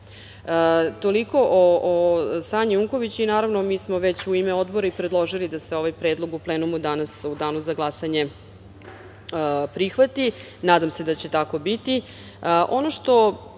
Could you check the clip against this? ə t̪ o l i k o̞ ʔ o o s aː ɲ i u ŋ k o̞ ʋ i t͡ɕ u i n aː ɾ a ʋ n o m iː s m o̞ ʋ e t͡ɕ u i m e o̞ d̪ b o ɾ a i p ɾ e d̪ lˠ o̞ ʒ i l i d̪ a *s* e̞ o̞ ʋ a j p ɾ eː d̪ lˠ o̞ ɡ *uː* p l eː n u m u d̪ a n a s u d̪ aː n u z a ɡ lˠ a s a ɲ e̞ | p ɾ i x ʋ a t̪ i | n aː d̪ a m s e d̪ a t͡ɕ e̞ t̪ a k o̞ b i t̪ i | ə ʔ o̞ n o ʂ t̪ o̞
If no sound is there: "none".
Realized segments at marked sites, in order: s, u

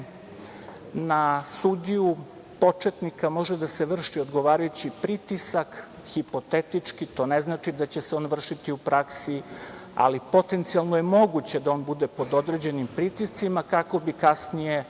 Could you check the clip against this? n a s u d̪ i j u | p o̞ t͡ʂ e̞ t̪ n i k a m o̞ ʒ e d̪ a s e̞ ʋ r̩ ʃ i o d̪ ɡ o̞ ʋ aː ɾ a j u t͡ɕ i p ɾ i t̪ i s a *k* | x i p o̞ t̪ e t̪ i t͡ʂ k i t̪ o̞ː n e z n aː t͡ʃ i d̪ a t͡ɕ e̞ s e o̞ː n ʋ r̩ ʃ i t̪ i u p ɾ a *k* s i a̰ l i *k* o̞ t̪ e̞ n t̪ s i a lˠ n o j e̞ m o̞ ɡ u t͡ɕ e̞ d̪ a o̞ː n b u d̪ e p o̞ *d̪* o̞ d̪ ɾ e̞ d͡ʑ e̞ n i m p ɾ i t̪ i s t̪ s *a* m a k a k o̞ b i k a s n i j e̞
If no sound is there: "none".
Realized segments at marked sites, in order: k, k, p, d̪, i

